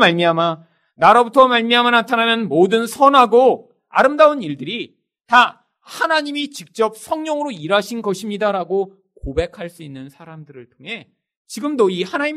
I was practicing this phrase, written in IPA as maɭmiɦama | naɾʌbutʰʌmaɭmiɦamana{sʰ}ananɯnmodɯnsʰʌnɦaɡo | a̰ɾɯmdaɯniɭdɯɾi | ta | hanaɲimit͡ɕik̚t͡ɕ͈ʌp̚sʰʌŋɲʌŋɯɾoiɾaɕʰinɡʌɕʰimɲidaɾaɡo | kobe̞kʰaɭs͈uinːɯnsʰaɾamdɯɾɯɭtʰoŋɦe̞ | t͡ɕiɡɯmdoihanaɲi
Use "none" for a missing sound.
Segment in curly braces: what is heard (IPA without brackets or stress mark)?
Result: tʰ